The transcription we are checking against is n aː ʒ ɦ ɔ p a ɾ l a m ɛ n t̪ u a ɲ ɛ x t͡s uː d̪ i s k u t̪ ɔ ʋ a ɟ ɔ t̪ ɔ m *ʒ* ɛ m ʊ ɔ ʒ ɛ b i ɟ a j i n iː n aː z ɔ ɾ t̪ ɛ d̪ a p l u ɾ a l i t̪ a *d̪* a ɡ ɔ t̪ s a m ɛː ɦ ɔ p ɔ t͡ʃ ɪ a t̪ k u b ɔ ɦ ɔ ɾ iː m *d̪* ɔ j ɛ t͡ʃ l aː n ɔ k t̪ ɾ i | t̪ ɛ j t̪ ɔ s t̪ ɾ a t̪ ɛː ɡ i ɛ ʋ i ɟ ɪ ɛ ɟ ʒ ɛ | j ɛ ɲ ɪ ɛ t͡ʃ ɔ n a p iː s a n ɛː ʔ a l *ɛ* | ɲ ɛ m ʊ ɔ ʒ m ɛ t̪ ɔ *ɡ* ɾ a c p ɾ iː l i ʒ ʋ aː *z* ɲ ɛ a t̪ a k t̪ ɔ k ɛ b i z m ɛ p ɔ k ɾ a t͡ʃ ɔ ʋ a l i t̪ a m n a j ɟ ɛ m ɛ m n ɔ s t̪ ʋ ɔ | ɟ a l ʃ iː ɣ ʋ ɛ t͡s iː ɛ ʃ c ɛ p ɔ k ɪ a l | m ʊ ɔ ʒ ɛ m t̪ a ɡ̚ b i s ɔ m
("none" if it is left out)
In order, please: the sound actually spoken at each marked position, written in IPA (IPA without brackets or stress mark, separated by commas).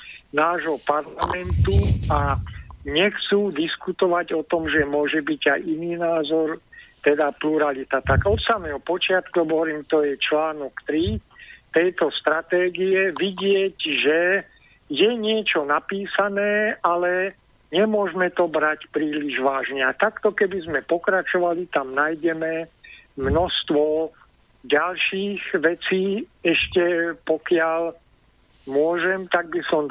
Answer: ʒ, t̪, t̪, ɛ, b, ʒ